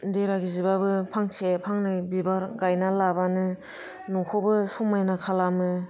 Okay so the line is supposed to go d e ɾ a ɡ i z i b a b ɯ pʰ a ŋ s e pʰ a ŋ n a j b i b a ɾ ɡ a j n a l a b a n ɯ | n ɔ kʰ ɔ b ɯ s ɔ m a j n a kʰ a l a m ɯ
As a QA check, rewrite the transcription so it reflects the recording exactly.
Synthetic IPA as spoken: d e ɾ a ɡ i z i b a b ɯ pʰ a ŋ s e pʰ a ŋ n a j b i b a ɾ ɡ a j n a l a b a n ɯ | n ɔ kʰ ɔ b ɯ s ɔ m a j n a kʰ a l a m ɯ